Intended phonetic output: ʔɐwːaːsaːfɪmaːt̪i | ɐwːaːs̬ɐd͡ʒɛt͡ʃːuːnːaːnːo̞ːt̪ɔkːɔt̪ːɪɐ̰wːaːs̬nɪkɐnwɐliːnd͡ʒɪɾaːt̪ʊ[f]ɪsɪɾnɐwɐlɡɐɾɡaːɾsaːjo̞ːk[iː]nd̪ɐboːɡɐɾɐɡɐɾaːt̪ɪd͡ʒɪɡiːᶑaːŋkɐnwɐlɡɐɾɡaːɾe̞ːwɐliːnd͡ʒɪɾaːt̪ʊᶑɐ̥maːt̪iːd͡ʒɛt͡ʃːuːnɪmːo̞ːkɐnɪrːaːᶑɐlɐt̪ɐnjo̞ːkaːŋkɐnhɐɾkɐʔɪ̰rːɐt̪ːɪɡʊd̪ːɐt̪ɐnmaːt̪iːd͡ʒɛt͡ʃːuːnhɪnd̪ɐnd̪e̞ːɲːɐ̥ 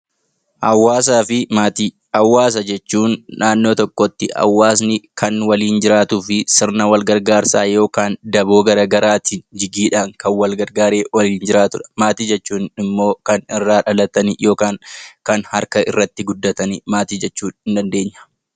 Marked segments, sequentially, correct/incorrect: correct, incorrect

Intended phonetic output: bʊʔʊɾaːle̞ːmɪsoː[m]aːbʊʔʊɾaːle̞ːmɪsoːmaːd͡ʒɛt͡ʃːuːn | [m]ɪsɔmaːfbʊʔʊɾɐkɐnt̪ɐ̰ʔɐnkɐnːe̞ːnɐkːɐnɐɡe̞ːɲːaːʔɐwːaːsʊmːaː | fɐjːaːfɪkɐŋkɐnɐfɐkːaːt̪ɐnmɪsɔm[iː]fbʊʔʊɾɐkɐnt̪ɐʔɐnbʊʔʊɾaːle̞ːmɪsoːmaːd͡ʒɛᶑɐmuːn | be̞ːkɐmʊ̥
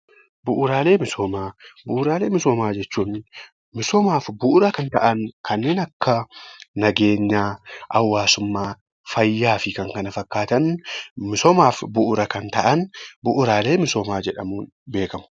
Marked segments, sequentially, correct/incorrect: correct, correct, incorrect

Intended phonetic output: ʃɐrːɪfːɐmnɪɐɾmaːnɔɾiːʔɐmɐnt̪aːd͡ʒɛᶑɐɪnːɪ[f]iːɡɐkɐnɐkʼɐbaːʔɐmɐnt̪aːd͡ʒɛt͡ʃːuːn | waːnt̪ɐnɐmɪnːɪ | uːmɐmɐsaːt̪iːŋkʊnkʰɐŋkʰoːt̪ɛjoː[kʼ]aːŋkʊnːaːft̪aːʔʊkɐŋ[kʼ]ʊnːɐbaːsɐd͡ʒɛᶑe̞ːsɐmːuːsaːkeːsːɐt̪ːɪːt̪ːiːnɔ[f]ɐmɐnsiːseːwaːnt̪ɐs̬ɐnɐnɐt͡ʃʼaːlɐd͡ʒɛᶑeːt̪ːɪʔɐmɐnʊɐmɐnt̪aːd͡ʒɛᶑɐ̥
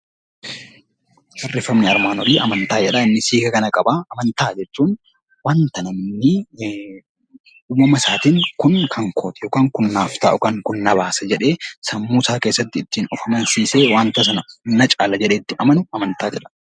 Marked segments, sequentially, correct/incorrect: incorrect, incorrect, incorrect, correct

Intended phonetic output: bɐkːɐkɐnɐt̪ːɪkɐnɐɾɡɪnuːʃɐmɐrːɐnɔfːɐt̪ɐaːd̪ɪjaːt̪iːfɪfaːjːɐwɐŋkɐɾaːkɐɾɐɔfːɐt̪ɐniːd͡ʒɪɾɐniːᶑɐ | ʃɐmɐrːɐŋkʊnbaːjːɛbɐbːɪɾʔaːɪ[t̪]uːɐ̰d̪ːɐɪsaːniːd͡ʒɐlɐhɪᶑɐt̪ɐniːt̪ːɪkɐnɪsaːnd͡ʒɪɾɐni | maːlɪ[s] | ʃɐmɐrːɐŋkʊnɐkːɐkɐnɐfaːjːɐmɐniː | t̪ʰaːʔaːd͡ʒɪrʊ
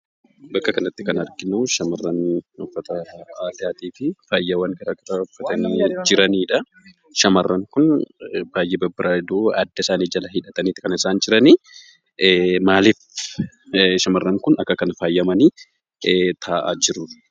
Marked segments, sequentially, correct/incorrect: incorrect, incorrect

